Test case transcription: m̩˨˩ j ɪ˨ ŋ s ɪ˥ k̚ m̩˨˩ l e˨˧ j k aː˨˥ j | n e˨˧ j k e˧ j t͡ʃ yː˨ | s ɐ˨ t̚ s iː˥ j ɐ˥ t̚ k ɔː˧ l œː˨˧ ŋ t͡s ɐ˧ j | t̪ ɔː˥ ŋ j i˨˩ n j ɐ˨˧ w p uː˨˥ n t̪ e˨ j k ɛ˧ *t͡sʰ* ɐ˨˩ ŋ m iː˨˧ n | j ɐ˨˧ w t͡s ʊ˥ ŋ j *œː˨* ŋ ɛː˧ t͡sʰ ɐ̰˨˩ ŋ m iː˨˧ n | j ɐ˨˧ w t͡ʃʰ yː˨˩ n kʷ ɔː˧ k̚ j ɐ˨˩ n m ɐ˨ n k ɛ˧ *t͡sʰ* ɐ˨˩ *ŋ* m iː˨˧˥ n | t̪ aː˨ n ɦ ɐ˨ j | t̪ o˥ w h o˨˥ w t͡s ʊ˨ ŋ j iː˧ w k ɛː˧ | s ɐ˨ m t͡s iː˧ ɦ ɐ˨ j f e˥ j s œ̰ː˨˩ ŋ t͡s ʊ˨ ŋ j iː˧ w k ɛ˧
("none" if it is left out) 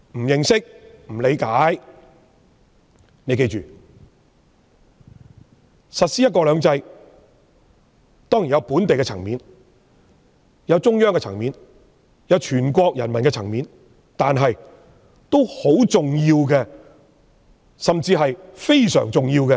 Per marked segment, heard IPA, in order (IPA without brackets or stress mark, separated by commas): t͡sʰ, œː˥, t͡sʰ, ŋ